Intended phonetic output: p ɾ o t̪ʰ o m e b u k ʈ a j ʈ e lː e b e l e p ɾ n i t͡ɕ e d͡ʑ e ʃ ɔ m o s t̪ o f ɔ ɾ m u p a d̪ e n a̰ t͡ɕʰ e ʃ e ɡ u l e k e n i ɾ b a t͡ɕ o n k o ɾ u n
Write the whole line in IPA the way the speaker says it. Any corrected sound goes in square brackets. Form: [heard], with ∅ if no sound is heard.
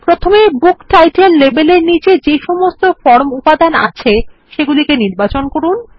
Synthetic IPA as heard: p ɾ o t̪ʰ o m e b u k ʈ a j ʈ e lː e b e l e [∅] ɾ n i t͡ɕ e d͡ʑ e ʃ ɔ m o s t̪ o f ɔ ɾ m u p a d̪ [a] n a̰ t͡ɕʰ e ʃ e ɡ u l [i] k e n i ɾ b a t͡ɕ o n k o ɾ u n